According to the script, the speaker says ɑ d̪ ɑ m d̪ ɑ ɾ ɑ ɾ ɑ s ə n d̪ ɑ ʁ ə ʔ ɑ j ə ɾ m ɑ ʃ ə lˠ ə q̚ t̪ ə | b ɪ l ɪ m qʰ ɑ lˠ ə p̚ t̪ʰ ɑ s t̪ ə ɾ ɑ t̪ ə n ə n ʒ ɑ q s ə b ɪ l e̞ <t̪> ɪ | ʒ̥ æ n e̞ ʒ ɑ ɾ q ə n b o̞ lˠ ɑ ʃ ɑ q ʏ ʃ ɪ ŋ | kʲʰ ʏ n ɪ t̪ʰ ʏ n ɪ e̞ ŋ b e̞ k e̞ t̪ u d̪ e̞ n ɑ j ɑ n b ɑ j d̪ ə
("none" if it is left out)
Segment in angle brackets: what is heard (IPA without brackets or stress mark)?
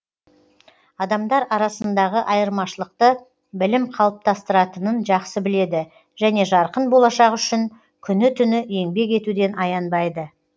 d̪